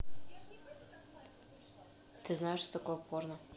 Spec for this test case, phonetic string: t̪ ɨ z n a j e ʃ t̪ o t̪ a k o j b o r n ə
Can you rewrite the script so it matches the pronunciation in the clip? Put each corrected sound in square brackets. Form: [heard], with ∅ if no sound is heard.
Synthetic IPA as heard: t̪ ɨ z n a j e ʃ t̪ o t̪ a k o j [p] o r n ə